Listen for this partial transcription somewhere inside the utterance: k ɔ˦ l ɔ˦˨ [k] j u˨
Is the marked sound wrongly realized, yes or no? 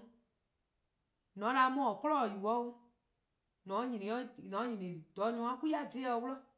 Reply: yes